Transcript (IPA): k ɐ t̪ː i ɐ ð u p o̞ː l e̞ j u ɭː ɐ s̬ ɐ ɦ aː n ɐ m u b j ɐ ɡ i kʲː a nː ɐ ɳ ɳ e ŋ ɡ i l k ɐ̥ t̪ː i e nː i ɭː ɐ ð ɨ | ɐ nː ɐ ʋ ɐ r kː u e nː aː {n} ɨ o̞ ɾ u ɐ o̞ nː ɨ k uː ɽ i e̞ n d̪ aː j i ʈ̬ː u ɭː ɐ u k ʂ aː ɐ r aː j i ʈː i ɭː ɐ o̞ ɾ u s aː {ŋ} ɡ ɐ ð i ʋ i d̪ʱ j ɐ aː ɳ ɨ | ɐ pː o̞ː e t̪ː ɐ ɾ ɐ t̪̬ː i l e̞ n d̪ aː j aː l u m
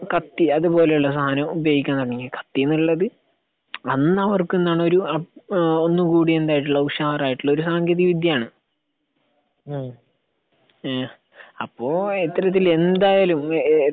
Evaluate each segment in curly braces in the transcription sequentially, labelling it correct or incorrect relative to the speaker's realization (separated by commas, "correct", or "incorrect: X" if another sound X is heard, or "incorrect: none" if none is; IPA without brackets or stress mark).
incorrect: ɳ, correct